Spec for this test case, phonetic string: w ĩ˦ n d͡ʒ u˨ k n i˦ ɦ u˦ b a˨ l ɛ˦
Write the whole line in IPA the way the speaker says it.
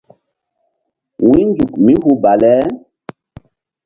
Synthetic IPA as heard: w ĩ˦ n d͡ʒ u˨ k m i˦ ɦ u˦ b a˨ l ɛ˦